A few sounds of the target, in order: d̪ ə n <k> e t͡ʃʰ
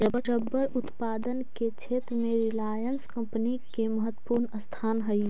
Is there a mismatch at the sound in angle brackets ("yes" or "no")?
no